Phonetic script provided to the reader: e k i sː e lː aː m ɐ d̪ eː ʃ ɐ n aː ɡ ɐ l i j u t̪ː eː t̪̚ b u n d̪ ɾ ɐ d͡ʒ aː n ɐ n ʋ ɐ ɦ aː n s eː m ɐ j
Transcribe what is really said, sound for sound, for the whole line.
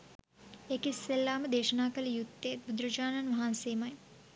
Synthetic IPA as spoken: e k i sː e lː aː m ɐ d̪ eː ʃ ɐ n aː k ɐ l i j u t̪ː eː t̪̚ b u d̪ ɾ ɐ d͡ʒ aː n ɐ n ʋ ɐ ɦ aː n s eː m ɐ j